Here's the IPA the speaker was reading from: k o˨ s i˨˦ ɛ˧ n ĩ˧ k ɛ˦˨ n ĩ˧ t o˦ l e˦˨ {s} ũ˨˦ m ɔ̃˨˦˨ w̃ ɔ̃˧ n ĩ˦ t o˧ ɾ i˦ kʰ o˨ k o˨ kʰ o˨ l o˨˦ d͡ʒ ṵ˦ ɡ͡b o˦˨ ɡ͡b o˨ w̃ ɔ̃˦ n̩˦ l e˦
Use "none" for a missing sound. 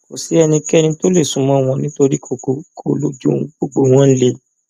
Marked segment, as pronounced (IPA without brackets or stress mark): s